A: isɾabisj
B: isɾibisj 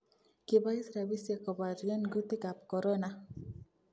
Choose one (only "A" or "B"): A